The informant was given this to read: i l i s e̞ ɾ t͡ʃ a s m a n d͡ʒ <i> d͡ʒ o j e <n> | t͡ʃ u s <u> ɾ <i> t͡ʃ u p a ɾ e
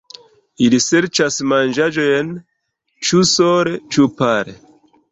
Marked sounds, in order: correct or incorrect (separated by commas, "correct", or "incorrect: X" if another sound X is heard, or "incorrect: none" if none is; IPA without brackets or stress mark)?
incorrect: a, correct, incorrect: o, incorrect: e